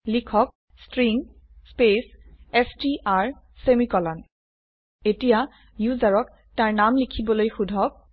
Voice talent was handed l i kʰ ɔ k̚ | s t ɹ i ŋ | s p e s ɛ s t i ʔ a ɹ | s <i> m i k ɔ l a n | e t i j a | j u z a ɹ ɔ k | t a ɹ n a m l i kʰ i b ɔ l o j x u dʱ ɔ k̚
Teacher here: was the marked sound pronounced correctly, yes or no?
no